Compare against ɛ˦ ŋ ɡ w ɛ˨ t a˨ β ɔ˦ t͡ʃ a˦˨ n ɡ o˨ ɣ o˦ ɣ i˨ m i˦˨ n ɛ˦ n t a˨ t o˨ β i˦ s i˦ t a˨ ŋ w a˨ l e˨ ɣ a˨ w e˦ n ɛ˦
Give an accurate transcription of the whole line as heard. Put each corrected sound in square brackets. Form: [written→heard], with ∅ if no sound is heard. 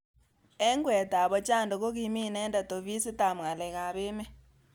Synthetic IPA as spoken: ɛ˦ ŋ ɡ w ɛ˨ t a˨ β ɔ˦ t͡ʃ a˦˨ n [ɡ→d] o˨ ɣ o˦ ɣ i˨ m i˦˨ n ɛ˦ n [t→d] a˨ t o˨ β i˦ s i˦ t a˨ [ŋ→m] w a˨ l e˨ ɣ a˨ [w→β] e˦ [n→m] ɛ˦

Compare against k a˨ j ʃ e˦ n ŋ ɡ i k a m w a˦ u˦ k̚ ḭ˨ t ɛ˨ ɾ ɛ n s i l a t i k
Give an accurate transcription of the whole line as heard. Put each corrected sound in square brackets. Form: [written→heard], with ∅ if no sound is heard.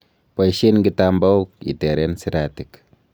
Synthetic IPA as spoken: [k→p] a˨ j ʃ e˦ n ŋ ɡ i [k→t] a m [w→b] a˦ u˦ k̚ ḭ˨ t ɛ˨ ɾ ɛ n s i [l→ɾ] a t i k

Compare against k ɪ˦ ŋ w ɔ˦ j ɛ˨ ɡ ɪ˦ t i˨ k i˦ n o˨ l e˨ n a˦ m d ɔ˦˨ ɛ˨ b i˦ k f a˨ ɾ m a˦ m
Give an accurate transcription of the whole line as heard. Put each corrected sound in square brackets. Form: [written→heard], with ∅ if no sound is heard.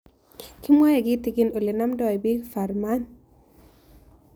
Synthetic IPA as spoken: k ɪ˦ [ŋ→m] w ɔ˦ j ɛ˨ ɡ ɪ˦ t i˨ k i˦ n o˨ l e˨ n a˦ m d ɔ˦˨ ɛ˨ b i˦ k f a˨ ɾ m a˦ [m→n]

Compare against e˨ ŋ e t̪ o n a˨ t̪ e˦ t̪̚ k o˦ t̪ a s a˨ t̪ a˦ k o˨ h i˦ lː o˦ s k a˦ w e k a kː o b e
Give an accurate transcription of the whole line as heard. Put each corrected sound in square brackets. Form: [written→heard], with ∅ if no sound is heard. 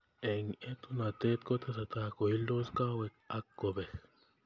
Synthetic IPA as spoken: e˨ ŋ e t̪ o n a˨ t̪ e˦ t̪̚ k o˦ t̪ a s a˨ t̪ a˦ k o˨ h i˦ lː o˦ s k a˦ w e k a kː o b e

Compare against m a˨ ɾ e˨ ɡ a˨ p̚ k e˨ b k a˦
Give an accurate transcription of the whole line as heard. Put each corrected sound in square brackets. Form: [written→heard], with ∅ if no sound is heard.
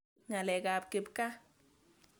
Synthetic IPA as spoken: [m→ŋ] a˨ [ɾ→l] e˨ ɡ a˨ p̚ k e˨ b k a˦

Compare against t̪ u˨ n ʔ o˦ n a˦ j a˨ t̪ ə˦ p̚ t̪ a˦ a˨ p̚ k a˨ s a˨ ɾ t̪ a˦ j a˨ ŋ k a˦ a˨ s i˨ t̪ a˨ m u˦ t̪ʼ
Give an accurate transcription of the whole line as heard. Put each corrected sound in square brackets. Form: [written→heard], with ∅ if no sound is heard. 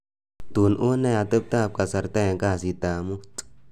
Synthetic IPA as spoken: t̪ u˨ n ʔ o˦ n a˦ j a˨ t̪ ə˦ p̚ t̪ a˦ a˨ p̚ k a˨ s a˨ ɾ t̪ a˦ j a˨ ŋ k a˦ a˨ s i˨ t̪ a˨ m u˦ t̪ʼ

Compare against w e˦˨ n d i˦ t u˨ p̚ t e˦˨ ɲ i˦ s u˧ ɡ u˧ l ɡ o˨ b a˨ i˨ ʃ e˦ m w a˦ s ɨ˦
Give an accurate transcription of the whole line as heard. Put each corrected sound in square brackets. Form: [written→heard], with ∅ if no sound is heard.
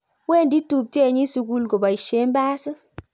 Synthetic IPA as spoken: w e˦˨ n d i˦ t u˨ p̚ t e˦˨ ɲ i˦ s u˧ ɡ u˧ l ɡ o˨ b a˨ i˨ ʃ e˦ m [w→b] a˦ s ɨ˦

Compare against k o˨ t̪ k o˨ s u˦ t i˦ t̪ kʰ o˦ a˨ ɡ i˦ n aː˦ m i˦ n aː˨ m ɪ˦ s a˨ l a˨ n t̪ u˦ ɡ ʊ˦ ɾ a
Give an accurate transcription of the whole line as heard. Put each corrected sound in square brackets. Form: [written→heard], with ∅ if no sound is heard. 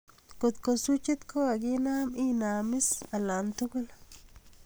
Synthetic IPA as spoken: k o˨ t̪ k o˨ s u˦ [t→t͡ʃ] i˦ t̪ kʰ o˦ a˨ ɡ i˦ n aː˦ m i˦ n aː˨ m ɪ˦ s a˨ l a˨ n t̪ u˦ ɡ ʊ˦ [ɾ→l] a

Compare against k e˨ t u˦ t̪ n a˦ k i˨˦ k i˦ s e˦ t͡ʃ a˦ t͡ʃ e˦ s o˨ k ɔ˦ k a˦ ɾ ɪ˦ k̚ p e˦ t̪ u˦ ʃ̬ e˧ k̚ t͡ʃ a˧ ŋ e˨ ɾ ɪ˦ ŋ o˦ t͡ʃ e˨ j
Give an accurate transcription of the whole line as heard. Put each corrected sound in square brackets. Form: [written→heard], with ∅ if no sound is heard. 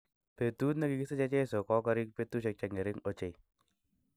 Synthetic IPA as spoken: [k→p] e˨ t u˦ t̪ n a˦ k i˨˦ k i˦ s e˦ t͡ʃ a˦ t͡ʃ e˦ s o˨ k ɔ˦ k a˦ ɾ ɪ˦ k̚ p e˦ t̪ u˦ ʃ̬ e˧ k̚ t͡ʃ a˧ ŋ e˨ ɾ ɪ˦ ŋ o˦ t͡ʃ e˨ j

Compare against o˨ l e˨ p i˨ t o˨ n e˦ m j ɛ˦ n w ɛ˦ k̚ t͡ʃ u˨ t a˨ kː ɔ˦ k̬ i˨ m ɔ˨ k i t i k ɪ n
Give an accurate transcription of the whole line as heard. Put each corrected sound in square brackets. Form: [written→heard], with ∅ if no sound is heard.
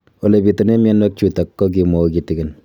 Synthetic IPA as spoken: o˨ l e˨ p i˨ t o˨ n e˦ m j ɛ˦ n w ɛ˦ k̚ t͡ʃ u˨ t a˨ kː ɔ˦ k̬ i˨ m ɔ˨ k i t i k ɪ n

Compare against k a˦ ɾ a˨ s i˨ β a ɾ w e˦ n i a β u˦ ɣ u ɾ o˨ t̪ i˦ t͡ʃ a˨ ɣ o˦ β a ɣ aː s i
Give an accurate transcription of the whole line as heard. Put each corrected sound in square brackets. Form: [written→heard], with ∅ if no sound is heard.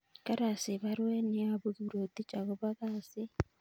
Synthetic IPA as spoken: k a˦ ɾ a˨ s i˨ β a ɾ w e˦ n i a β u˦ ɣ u ɾ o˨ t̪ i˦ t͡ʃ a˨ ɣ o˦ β a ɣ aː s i

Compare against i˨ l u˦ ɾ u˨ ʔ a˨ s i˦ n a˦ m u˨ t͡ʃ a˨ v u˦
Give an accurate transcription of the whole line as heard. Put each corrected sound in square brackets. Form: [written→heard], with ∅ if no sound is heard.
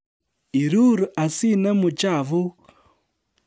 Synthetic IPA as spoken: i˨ [l→ɾ] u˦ ɾ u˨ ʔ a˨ s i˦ n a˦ m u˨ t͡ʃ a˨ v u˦

